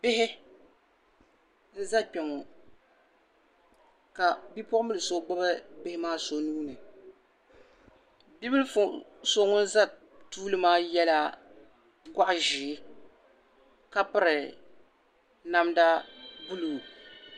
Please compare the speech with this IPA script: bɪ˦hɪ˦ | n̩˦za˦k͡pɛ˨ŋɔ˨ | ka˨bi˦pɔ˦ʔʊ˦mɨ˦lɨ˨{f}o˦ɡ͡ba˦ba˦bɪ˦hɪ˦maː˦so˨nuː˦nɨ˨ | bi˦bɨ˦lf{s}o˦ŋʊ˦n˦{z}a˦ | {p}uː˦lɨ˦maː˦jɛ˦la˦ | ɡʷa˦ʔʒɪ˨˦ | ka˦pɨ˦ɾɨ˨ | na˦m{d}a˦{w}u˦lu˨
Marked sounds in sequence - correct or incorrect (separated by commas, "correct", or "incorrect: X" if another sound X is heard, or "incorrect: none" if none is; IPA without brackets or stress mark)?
incorrect: s, correct, correct, incorrect: t, correct, incorrect: b